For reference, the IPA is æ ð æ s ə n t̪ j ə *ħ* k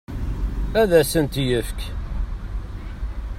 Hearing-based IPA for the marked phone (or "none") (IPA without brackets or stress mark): f